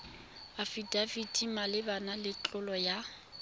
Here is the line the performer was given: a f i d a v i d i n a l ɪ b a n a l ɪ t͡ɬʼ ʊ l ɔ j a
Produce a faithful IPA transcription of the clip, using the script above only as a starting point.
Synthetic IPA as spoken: a f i d a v i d i m a l ɪ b a n a l ɪ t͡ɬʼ ʊ l ɔ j a